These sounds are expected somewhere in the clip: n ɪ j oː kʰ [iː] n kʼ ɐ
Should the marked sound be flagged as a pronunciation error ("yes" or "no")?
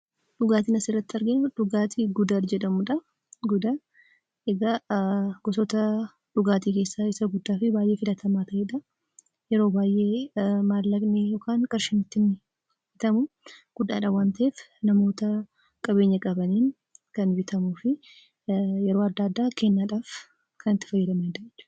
yes